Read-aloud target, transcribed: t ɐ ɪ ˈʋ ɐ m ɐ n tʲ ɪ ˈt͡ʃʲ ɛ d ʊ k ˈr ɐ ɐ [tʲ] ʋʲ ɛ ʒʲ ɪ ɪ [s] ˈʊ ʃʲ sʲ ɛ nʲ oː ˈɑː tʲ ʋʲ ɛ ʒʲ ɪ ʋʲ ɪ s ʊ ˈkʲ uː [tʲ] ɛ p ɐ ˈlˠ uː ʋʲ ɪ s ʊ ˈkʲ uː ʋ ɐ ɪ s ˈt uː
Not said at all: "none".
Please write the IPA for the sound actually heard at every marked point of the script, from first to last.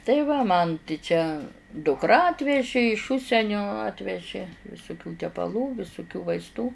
tʲ, ʃ, tʲ

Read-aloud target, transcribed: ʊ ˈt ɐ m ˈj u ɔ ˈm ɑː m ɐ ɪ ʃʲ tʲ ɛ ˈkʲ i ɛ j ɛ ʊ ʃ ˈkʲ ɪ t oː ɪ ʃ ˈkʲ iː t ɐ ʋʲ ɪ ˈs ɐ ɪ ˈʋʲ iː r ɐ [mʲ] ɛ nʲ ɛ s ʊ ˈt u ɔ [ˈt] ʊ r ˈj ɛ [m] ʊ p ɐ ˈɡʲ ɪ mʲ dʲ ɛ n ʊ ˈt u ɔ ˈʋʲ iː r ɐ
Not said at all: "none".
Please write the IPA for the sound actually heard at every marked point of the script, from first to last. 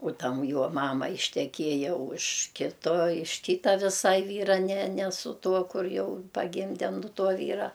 nʲ, k, none

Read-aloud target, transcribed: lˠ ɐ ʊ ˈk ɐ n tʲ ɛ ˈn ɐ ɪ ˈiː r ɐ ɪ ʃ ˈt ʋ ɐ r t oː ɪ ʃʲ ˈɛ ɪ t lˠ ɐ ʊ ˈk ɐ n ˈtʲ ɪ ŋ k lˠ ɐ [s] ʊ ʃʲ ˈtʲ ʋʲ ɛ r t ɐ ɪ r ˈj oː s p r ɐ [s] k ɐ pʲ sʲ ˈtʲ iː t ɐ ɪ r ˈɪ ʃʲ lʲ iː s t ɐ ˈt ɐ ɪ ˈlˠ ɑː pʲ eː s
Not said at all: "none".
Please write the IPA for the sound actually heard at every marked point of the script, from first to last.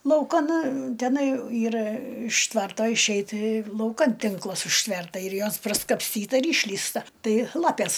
s, s

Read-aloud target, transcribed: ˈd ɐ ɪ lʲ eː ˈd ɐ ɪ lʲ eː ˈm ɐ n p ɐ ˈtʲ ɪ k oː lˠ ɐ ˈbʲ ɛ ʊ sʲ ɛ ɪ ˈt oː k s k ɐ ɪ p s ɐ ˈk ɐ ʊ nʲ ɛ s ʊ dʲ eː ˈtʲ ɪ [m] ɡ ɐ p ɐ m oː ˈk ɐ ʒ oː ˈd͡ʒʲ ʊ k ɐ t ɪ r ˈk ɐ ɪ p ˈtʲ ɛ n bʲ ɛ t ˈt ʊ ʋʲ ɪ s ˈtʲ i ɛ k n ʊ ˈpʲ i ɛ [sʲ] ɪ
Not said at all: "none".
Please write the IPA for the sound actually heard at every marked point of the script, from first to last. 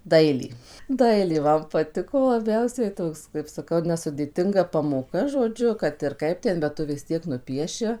ŋ, ʃʲ

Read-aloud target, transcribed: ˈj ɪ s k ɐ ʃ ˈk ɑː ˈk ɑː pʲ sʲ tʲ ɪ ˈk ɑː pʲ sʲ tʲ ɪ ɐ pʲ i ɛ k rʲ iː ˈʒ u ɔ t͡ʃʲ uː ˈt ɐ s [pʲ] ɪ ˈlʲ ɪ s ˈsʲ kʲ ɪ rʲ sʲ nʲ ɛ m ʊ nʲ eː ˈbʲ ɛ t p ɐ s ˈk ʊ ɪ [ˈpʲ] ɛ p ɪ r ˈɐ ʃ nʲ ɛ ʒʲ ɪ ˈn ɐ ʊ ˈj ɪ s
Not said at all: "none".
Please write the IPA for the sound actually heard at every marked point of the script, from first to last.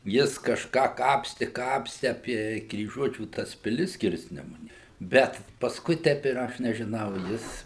pʲ, tʲ

